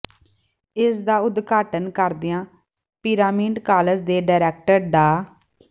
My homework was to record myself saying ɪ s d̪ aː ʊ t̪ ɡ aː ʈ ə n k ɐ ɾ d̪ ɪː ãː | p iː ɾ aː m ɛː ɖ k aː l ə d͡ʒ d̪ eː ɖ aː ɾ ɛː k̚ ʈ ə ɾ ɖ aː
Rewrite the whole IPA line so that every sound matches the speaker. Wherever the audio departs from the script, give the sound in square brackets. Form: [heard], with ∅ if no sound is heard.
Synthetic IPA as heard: ɪ s d̪ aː ʊ [d̪] ɡ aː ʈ ə n k [ə] ɾ d̪ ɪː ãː | p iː ɾ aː m [iː] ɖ k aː l ə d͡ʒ d̪ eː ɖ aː ɾ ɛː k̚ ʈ ə ɾ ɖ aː